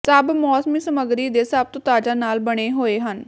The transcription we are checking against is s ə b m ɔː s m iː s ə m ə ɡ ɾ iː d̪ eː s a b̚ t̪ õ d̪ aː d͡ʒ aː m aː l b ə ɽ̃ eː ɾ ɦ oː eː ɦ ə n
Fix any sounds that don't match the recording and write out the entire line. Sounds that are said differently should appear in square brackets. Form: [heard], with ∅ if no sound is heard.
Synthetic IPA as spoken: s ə b m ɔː s m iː s ə m ə ɡ ɾ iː d̪ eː s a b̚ t̪ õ [t̪] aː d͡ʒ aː [n] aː l b ə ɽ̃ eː [∅] ɦ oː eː ɦ ə n

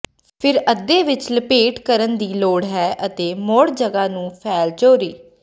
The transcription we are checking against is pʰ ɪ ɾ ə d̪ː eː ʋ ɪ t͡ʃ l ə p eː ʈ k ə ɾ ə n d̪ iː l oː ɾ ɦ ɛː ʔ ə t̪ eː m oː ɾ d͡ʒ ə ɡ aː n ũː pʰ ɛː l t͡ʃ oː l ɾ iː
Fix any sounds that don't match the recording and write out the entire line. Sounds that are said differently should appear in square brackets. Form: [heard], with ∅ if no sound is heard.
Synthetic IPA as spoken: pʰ ɪ ɾ ə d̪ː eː ʋ ɪ t͡ʃ l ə p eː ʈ k ə ɾ ə n d̪ iː l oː [ɽ] ɦ ɛː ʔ ə t̪ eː m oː [ɽ] d͡ʒ ə ɡ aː n ũː pʰ ɛː l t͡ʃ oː [∅] ɾ iː

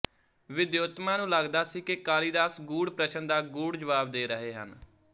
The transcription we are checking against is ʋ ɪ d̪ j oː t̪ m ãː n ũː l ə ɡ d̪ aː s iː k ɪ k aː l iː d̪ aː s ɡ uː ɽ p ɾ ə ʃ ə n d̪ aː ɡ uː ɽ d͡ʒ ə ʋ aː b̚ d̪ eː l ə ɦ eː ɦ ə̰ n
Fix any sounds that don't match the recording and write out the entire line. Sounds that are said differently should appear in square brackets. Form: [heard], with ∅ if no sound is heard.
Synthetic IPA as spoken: ʋ ɪ d̪ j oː t̪ m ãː n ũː l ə ɡ d̪ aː s iː k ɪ k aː l iː d̪ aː s ɡ uː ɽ p ɾ ə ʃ ə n d̪ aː ɡ uː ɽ d͡ʒ ə ʋ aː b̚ d̪ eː [ɾ] ə ɦ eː ɦ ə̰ n

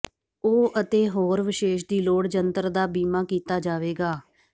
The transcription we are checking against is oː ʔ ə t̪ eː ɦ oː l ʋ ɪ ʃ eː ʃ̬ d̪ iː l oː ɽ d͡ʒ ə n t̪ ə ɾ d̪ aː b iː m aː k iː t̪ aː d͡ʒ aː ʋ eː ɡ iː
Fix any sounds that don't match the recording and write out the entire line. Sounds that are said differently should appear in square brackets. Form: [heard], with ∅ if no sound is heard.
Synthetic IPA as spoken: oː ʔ ə t̪ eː ɦ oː [ɾ] ʋ ɪ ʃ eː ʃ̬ d̪ iː l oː ɽ d͡ʒ ə n t̪ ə ɾ d̪ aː b iː m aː k iː t̪ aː d͡ʒ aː ʋ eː ɡ [aː]

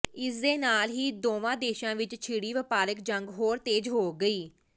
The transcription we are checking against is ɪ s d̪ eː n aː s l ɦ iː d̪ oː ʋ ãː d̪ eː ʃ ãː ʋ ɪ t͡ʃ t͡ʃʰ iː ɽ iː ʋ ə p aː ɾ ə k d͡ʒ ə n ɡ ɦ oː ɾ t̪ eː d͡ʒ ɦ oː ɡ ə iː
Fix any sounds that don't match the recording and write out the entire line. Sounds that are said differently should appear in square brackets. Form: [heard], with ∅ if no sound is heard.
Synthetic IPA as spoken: ɪ s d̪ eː n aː [∅] l ɦ iː d̪ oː ʋ ãː d̪ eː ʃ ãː ʋ ɪ t͡ʃ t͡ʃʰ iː ɽ iː ʋ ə p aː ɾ ə k d͡ʒ ə [ŋ] ɡ ɦ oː ɾ t̪ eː d͡ʒ ɦ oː ɡ ə iː

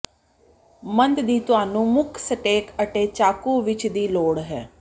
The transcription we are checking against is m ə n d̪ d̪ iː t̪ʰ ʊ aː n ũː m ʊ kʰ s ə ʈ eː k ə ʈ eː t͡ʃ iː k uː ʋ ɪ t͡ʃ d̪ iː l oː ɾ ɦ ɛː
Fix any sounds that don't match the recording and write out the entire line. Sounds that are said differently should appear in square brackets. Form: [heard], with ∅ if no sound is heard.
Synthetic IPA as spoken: m ə n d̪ d̪ iː [t̪] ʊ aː n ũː m ʊ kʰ s ə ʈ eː k ə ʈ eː t͡ʃ [aː] k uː ʋ ɪ t͡ʃ d̪ iː l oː [ɽ] ɦ ɛː

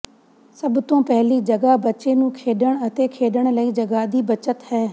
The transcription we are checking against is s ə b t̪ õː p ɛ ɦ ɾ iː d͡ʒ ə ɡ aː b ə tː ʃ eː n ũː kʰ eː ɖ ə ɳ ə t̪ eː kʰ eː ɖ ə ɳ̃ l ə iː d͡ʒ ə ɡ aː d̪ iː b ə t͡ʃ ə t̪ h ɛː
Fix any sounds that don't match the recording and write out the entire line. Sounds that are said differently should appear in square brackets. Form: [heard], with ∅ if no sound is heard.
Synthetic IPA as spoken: s ə b t̪ õː p ɛ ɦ [l] iː d͡ʒ ə ɡ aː b ə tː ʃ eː n ũː kʰ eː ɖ ə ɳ ə t̪ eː kʰ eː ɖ ə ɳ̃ l ə iː d͡ʒ ə ɡ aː d̪ iː b ə t͡ʃ ə t̪ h ɛː

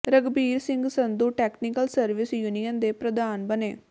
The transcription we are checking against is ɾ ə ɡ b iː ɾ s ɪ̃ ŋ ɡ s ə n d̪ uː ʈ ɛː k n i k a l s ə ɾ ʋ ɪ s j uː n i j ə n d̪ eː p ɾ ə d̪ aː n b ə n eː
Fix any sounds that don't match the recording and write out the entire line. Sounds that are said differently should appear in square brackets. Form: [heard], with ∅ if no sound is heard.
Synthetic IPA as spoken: ɾ ə ɡ b iː ɾ s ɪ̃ ŋ ɡ s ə n d̪ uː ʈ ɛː k n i k [ə] l s ə ɾ ʋ ɪ s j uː n i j ə n d̪ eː p ɾ ə d̪ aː n b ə n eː

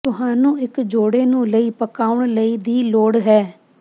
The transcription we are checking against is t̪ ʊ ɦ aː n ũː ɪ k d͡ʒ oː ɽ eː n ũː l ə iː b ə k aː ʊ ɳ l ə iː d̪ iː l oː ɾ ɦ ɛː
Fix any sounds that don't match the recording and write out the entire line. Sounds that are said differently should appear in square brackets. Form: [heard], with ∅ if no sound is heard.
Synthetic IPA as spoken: t̪ ʊ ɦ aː n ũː ɪ k d͡ʒ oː ɽ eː n ũː l ə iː [p] ə k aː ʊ ɳ l ə iː d̪ iː l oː [ɽ] ɦ ɛː

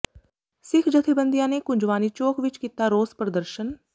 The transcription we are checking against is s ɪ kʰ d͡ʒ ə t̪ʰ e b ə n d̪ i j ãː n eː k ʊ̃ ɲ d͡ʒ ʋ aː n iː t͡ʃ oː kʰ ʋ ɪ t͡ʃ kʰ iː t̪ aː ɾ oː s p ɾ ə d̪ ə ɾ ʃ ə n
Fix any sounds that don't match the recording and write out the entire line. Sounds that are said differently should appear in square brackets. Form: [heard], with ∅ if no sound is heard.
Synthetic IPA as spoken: s ɪ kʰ d͡ʒ ə t̪ʰ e b ə n d̪ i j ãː n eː k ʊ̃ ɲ d͡ʒ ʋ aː n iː t͡ʃ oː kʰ ʋ ɪ t͡ʃ [k] iː t̪ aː ɾ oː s p ɾ ə d̪ ə ɾ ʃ ə n

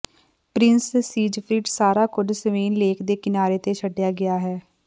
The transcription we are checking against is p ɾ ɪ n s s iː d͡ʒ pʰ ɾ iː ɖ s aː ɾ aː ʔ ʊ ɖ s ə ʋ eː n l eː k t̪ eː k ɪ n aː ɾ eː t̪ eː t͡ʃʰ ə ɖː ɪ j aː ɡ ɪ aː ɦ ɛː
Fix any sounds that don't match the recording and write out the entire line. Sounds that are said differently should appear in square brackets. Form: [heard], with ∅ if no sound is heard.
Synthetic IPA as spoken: p ɾ ɪ n s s iː d͡ʒ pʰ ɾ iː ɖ s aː ɾ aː [k] ʊ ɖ s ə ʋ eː n l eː k [d̪] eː k ɪ n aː ɾ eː t̪ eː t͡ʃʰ ə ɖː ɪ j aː ɡ ɪ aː ɦ ɛː

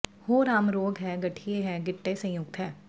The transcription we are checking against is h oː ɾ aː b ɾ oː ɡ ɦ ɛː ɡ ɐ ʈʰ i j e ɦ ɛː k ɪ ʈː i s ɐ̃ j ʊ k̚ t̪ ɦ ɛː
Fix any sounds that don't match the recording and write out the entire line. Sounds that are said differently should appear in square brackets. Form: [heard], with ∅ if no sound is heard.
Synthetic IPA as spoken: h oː ɾ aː [m] ɾ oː ɡ ɦ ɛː ɡ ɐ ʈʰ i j e ɦ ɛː [ɡ] ɪ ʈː [e] s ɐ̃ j ʊ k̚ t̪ ɦ ɛː

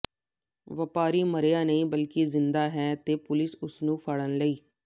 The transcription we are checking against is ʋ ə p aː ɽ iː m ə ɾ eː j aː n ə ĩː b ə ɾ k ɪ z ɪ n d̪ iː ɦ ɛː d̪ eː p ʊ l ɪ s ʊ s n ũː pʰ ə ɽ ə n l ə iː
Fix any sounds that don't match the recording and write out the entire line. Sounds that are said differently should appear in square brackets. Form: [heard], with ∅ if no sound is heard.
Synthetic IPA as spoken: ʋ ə p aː [ɾ] iː m ə ɾ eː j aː n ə ĩː b ə [l] k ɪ z ɪ n d̪ [aː] ɦ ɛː [t̪] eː p ʊ l ɪ s ʊ s n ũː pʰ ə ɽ ə n l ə iː

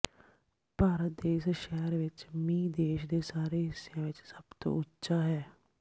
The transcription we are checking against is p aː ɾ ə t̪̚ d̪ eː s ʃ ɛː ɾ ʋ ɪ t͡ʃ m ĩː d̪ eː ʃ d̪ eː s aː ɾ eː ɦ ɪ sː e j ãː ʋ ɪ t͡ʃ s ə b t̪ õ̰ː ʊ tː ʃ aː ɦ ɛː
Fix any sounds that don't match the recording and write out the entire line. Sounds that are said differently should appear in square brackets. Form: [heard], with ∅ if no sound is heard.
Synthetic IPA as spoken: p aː ɾ ə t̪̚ d̪ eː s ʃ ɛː ɾ ʋ ɪ t͡ʃ m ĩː d̪ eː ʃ d̪ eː s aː ɾ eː ɦ ɪ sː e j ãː ʋ ɪ t͡ʃ s ə b t̪ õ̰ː ʊ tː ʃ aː ɦ ɛː

